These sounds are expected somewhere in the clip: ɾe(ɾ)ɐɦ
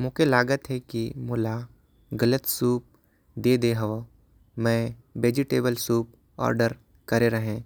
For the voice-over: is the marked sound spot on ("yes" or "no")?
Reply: yes